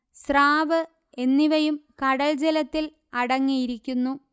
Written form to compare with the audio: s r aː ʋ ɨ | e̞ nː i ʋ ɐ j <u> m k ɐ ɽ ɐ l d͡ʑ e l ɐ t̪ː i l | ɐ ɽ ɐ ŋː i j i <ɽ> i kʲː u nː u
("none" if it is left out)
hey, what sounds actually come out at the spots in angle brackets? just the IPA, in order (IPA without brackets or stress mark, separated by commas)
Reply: u, ɾ